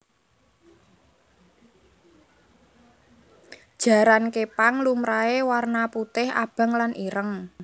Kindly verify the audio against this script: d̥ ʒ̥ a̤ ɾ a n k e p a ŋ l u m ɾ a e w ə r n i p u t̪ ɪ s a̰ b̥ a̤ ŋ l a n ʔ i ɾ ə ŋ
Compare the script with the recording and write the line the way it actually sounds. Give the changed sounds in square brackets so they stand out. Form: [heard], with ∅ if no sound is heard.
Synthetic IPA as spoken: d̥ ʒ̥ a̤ ɾ a n k e p a ŋ l u m ɾ a e w [a] r n [a] p u t̪ ɪ [h] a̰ b̥ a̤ ŋ l a n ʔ i ɾ ə ŋ